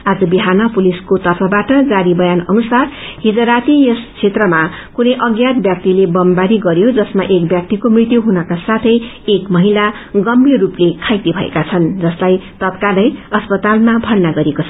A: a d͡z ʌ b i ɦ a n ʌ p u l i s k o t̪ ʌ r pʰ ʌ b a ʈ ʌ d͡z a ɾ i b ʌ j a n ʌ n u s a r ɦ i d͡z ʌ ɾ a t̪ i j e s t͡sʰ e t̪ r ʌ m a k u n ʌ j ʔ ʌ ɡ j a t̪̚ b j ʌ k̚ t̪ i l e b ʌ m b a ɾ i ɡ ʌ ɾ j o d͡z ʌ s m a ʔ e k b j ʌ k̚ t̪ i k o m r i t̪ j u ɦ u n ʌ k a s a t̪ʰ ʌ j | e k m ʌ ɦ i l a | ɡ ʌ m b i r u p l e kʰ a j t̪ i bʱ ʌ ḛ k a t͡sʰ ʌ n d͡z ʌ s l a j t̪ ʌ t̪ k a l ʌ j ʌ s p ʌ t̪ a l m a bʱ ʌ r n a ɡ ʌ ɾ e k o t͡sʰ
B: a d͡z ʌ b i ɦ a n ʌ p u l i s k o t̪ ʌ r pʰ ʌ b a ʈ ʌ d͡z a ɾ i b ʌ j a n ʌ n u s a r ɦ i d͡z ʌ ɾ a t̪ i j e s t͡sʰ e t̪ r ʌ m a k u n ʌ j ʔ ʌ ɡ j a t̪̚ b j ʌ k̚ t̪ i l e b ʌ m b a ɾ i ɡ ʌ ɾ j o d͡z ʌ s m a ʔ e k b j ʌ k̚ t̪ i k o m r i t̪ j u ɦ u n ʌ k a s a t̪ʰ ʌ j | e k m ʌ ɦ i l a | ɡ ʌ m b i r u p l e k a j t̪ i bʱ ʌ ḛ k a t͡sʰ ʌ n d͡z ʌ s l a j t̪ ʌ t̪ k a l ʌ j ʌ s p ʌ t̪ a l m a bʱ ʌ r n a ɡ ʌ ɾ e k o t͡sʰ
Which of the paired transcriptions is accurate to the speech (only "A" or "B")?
A